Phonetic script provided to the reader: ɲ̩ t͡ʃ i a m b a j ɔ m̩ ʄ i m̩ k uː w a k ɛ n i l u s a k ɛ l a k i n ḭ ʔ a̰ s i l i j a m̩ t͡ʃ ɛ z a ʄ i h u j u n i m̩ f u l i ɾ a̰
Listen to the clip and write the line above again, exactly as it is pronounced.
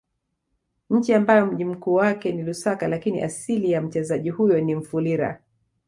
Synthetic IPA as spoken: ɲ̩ t͡ʃ i a m b a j ɔ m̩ ʄ i m̩ k uː w a k ɛ n i l u s a k a l a k i n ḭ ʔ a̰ s i l i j a m̩ t͡ʃ ɛ z a ʄ i h u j ɔ n i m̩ f u l i ɾ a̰